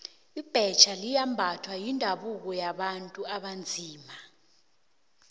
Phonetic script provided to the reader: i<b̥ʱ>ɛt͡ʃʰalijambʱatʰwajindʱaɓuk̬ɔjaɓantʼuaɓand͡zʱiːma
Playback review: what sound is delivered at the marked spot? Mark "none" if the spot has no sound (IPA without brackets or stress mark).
b̥ʱ